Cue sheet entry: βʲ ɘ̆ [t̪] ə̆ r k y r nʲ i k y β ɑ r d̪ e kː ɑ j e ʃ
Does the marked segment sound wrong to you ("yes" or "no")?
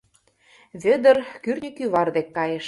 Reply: yes